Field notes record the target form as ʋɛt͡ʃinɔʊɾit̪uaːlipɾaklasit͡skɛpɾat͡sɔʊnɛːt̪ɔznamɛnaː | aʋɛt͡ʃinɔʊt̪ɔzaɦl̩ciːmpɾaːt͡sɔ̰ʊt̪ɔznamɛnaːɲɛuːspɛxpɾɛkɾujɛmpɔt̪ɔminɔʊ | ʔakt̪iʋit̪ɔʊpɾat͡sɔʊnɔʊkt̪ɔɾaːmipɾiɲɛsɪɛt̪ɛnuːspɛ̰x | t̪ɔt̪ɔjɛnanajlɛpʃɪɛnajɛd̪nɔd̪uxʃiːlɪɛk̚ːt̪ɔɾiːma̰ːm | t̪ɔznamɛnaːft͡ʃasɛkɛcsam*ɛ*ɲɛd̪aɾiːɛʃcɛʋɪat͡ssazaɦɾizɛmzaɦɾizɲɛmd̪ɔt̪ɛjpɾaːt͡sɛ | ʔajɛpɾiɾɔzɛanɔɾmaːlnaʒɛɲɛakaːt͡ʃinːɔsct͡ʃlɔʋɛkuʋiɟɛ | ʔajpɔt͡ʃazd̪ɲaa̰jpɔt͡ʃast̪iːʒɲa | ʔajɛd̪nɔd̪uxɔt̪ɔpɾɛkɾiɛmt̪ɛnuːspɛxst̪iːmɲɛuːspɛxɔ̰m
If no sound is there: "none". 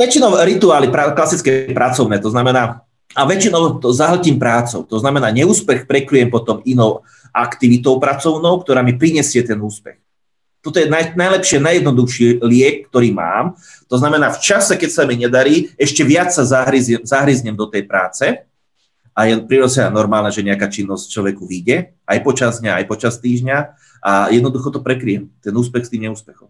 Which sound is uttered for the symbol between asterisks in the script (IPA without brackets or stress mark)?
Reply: i